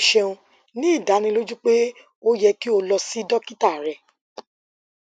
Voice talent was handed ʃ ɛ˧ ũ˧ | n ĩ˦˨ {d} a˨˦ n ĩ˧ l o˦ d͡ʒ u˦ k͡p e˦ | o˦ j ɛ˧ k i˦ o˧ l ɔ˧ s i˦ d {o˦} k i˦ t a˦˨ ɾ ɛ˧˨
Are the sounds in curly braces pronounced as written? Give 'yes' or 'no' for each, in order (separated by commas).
yes, no